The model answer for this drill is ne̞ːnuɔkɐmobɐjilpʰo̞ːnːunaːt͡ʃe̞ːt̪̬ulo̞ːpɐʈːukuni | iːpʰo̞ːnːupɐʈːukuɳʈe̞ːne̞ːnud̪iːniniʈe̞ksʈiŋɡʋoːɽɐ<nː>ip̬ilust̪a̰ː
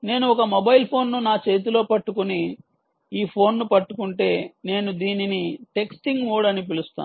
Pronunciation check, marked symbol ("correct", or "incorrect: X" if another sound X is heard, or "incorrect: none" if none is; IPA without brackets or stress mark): incorrect: n